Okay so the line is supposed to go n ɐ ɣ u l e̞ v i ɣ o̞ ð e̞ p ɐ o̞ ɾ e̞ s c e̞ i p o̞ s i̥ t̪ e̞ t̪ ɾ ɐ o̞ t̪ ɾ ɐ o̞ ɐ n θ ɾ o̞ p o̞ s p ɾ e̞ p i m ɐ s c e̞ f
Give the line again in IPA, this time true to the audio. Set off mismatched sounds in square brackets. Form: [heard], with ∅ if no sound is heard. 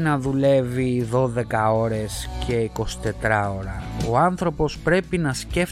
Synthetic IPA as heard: n ɐ [ð] u l e̞ v i [ð] o̞ ð e̞ [k] ɐ o̞ ɾ e̞ s c e̞ i [k] o̞ s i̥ t̪ e̞ t̪ ɾ ɐ o̞ [∅] ɾ ɐ o̞ ɐ n θ ɾ o̞ p o̞ s p ɾ e̞ p i [n] ɐ s c e̞ f